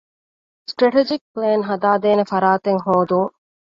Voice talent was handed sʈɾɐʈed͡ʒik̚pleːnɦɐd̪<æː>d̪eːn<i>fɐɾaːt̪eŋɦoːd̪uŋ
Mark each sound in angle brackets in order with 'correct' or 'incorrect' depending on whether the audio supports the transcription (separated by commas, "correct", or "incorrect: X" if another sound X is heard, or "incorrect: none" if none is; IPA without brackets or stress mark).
incorrect: aː, incorrect: e